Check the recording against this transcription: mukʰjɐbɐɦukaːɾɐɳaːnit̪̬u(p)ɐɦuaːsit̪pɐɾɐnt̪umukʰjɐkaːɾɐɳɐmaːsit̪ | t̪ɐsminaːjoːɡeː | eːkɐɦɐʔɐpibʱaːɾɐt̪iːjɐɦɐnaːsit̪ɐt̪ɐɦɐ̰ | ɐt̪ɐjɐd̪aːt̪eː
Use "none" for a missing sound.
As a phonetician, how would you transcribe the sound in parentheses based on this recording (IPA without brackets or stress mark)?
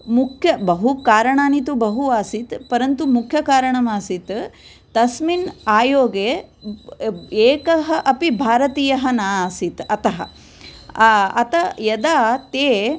b